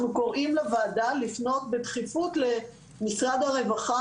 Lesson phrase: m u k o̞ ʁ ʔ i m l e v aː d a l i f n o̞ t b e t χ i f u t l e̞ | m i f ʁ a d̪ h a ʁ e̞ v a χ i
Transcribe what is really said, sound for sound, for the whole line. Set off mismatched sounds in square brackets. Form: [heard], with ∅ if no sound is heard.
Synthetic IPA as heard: [n] u k o̞ ʁ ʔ i m l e v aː d a l i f n o̞ t b e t χ i f u t l e̞ | m i [s] ʁ a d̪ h a ʁ e̞ v a χ [a]